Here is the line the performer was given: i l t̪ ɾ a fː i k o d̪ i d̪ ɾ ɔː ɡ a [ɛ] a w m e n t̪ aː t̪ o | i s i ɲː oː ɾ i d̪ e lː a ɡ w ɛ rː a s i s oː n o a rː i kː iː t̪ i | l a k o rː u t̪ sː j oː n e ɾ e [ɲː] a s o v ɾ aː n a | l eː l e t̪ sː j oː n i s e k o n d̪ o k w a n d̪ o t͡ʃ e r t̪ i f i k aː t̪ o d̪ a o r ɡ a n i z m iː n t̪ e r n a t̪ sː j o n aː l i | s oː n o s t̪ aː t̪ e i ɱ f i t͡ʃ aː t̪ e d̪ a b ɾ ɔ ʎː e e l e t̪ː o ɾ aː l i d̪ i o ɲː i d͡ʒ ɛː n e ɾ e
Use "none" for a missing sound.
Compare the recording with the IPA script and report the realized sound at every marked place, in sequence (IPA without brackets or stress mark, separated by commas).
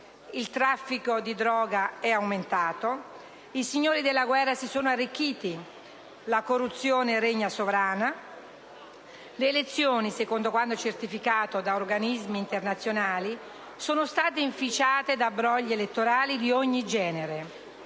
ɛ, ɲː